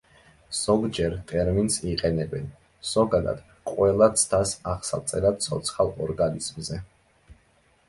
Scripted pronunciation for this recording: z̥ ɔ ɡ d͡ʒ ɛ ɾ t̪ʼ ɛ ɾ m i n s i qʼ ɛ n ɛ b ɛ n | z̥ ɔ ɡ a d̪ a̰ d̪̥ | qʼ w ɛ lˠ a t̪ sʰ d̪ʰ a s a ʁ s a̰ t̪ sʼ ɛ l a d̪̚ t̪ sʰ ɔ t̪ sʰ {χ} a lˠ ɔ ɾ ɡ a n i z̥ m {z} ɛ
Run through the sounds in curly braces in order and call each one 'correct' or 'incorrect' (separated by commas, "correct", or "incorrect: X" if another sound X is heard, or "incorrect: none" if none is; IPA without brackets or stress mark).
correct, correct